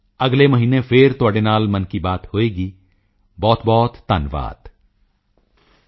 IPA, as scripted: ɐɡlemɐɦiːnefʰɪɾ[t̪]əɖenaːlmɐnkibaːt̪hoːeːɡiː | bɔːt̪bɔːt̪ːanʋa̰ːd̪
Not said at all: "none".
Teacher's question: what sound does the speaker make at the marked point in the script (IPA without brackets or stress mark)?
t̪